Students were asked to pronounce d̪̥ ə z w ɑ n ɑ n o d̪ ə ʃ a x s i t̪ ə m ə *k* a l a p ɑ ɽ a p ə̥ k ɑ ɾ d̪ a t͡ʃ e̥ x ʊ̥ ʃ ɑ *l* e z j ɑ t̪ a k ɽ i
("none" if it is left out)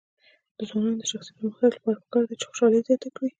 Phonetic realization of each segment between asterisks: x, l

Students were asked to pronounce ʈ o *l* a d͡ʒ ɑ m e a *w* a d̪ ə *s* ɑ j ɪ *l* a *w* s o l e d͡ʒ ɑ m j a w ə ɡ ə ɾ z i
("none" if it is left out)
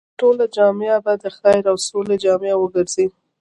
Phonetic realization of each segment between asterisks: l, b, x, ɾ, w

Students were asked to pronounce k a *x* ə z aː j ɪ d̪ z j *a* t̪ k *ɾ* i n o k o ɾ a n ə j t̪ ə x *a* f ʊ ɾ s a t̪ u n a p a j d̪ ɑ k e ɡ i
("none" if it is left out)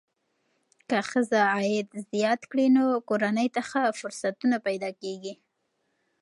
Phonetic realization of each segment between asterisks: x, ɑ, ɽ, a

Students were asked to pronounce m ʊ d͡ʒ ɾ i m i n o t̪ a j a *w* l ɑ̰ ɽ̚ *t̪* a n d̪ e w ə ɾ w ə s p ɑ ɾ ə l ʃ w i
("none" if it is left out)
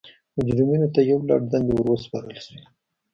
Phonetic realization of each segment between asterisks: w, d̪

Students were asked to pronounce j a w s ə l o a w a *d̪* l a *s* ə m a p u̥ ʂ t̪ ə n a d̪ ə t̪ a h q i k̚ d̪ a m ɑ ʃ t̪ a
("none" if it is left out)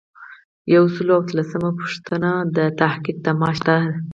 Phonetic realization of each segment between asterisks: t̪, s

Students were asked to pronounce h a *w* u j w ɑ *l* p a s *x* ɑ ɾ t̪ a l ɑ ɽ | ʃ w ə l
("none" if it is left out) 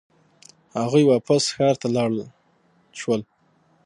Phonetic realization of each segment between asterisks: ɣ, none, x

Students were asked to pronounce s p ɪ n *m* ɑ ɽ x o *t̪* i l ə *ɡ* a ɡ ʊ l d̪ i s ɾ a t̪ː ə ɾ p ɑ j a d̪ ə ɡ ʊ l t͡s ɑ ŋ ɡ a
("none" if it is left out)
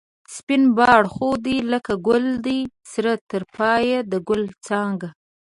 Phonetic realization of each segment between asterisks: b, d̪, k

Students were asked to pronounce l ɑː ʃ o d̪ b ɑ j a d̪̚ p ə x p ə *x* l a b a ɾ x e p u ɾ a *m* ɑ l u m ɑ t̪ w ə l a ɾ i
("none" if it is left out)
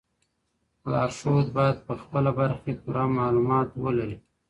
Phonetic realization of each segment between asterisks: none, m

